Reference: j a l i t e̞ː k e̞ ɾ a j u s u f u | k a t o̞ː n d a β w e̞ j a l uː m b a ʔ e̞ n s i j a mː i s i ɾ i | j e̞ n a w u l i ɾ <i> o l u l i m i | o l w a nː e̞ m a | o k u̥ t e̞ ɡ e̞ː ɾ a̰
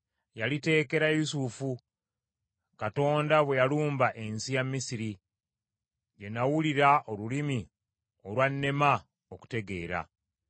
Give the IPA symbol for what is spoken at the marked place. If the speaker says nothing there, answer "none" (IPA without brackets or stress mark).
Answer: a